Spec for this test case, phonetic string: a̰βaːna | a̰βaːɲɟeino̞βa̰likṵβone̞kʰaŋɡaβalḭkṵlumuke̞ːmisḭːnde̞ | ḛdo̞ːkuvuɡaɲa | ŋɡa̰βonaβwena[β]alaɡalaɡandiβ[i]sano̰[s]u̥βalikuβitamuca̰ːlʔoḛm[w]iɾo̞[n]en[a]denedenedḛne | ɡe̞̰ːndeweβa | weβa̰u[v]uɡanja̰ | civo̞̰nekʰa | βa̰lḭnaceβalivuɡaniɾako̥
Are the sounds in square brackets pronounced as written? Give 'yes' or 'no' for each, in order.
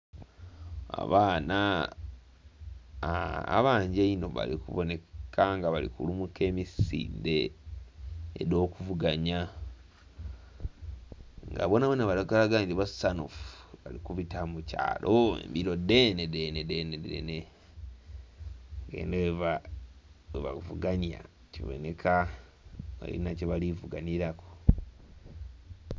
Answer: yes, no, no, no, no, no, yes

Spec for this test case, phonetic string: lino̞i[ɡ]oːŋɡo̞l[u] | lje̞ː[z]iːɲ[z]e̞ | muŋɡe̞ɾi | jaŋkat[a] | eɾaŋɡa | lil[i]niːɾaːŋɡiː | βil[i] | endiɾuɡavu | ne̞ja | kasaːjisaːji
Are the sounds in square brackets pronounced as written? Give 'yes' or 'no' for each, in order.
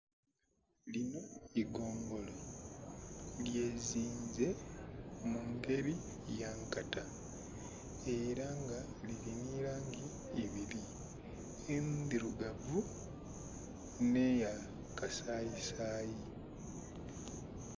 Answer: yes, no, yes, yes, yes, yes, yes

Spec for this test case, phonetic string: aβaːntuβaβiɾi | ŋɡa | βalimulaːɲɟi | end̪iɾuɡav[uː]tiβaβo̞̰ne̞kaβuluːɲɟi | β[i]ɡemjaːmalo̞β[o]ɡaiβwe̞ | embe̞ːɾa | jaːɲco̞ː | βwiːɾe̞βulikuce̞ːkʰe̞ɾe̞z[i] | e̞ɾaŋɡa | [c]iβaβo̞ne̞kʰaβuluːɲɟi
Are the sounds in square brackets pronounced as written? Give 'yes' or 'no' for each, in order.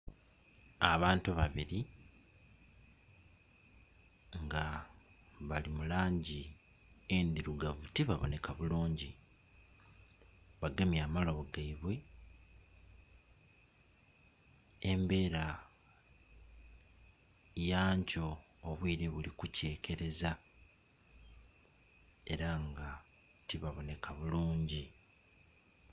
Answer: no, no, yes, no, no

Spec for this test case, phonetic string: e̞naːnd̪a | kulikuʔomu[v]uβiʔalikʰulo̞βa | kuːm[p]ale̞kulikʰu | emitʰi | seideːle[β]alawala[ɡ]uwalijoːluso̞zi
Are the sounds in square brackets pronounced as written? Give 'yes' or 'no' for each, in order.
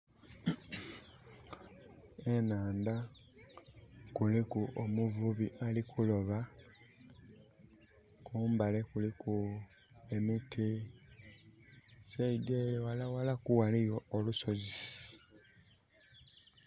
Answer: yes, no, no, no

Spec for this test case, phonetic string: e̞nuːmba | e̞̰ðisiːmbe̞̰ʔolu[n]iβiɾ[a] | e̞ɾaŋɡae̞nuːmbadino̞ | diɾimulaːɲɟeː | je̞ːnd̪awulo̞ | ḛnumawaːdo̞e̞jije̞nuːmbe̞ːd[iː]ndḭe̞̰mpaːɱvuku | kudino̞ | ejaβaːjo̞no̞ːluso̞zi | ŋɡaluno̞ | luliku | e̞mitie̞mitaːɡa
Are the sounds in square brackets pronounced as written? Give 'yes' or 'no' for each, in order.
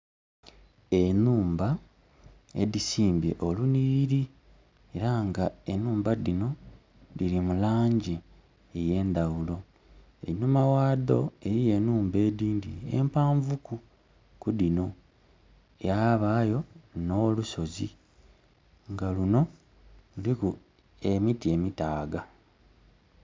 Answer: yes, no, yes

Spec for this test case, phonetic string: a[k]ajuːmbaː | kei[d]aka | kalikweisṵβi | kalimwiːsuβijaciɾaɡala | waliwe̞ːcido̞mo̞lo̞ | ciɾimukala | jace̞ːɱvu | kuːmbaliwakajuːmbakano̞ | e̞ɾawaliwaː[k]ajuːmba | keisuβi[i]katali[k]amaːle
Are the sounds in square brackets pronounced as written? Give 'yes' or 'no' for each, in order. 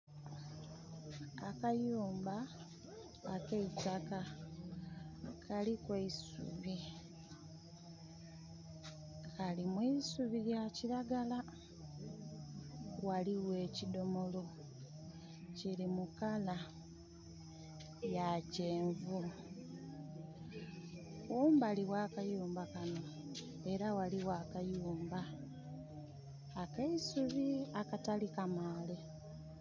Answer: yes, no, yes, no, yes

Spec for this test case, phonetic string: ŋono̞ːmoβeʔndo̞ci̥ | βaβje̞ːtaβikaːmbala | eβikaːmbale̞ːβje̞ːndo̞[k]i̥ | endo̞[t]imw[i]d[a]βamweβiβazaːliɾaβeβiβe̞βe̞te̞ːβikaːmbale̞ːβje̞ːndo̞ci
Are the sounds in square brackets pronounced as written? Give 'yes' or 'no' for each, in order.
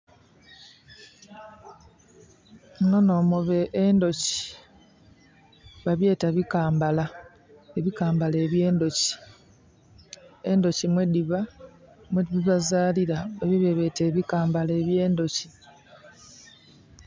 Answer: no, no, no, no

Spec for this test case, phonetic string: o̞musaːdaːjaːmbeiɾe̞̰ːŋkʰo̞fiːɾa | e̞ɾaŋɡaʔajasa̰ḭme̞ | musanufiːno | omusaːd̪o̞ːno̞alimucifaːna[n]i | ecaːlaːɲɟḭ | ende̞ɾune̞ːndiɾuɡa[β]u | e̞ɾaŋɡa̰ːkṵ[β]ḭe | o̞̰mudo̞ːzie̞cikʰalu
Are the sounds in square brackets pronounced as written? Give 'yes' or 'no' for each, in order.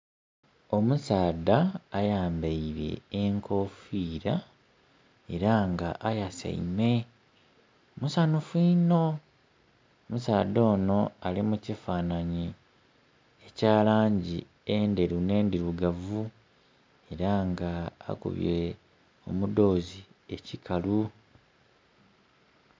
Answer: no, no, yes

